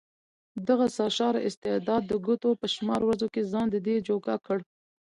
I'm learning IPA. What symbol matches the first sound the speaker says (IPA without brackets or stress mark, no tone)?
d̪